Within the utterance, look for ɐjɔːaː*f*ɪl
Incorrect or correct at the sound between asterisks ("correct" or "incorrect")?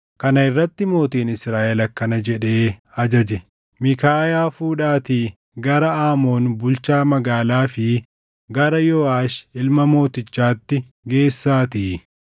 incorrect